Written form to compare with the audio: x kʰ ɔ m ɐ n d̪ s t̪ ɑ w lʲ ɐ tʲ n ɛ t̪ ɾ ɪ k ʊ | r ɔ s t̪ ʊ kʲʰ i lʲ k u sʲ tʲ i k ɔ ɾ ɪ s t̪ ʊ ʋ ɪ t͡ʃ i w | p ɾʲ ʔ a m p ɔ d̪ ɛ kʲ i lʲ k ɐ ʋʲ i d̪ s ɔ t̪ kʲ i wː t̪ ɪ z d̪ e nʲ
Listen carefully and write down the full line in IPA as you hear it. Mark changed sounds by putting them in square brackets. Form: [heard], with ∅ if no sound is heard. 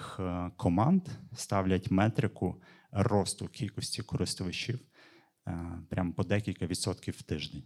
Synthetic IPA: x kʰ ɔ m [ɑ] n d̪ s t̪ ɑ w lʲ ɐ tʲ [m] ɛ t̪ ɾ ɪ k ʊ | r ɔ s t̪ ʊ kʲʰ i lʲ k [ɔ] sʲ tʲ i k ɔ ɾ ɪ s t̪ ʊ ʋ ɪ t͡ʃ i w | p ɾʲ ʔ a m p ɔ d̪ ɛ kʲ i lʲ k ɐ ʋʲ i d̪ s ɔ t̪ kʲ i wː t̪ ɪ [ʒ] d̪ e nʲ